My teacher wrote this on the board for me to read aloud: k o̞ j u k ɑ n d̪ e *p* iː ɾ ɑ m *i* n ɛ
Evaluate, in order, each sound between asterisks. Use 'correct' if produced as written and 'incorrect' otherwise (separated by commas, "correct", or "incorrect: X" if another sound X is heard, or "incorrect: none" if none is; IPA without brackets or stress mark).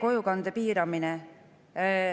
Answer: correct, correct